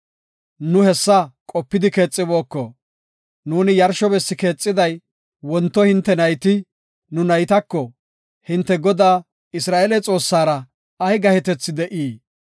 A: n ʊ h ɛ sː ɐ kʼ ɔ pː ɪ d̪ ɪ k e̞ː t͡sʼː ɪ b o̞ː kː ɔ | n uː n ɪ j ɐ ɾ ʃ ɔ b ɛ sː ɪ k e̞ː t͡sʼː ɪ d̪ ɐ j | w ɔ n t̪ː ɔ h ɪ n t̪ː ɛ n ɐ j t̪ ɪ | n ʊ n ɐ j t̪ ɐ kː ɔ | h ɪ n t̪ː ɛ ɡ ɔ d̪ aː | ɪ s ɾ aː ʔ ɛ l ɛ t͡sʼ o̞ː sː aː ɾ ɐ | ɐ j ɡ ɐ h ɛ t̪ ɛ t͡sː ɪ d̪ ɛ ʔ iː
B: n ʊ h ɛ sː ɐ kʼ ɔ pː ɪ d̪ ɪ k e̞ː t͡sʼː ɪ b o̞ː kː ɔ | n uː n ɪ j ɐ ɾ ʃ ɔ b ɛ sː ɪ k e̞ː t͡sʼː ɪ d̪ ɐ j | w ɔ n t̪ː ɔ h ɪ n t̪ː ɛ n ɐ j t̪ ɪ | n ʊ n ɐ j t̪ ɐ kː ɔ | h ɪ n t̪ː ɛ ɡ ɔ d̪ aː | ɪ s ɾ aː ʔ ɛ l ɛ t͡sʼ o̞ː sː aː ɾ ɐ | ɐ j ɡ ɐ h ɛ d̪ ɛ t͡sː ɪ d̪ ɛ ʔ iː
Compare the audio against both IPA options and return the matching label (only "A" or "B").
A